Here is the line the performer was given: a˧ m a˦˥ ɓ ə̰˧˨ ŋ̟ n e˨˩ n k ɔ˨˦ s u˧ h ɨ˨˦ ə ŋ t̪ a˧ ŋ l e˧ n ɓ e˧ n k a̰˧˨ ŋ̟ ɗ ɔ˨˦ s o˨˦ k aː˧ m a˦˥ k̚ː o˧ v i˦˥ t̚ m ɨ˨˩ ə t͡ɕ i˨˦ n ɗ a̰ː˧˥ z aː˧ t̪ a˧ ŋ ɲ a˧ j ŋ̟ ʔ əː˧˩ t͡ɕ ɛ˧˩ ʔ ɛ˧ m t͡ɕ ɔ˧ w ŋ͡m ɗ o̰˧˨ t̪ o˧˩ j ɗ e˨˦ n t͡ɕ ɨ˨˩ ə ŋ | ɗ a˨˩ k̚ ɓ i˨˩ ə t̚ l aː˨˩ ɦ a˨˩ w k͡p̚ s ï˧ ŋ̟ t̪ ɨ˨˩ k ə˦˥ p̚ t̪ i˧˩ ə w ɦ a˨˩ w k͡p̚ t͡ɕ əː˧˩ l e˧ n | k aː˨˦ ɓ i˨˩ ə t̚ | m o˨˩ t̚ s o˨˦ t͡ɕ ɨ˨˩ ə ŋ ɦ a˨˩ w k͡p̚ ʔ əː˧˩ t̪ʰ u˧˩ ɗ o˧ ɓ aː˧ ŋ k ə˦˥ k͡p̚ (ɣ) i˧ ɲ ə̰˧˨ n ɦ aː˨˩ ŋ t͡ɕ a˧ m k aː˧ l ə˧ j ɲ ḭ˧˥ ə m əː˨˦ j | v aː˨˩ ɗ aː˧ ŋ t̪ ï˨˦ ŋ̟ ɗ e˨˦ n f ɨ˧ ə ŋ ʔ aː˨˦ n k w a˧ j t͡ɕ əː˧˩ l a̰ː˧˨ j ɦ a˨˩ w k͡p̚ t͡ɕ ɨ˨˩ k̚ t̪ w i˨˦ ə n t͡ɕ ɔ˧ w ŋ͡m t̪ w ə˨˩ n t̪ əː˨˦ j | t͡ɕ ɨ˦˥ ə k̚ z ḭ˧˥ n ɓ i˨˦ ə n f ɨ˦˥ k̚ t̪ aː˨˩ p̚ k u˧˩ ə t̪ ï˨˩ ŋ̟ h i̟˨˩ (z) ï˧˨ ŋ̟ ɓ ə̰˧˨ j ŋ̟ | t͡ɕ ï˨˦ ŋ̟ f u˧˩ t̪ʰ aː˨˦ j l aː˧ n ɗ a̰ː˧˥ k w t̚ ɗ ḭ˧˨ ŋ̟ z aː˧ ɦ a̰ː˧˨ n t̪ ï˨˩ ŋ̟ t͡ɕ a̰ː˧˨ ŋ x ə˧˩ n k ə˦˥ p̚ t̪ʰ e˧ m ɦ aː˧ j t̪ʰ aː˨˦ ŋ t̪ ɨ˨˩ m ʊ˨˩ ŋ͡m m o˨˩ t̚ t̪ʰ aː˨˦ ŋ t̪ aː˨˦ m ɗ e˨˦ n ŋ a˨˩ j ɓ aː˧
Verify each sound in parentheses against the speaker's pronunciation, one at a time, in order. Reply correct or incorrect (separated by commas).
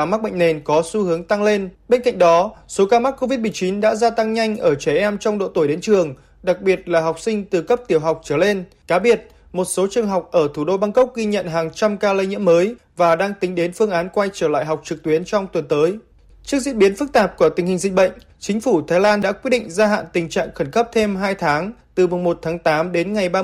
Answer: correct, correct